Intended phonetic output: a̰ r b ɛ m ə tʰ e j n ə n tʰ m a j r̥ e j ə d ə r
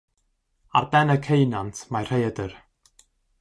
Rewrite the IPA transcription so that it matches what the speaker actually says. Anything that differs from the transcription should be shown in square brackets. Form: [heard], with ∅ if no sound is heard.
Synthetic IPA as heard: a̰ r b ɛ [n] ə [kʰ] e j n [a] n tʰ m a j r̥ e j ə d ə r